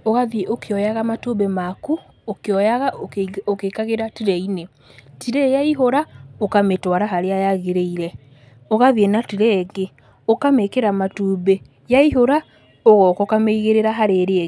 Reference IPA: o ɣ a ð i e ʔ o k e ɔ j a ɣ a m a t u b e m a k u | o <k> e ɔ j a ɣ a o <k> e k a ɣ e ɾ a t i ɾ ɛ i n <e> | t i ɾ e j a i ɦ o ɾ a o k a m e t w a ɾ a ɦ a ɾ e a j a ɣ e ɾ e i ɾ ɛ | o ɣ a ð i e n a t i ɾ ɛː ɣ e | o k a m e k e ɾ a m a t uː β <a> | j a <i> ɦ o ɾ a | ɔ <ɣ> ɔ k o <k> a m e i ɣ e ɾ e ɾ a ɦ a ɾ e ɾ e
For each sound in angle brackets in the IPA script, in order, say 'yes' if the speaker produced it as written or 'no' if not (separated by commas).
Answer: yes, yes, yes, no, yes, yes, yes